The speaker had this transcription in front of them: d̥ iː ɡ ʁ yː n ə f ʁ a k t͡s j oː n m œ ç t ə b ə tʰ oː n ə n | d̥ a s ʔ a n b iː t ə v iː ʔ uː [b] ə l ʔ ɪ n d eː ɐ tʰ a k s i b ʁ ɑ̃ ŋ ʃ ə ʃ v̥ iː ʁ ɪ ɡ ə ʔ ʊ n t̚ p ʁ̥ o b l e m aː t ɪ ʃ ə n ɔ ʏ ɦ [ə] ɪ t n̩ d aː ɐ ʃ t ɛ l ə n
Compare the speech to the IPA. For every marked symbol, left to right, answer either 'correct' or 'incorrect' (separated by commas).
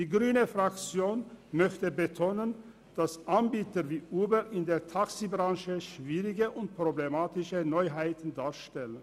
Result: correct, incorrect